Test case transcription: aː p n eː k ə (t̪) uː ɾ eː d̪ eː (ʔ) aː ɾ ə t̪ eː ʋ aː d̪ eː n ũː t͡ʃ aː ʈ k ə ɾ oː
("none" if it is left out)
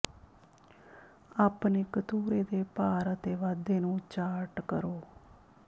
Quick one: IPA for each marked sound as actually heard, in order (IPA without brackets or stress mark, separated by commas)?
t̪, p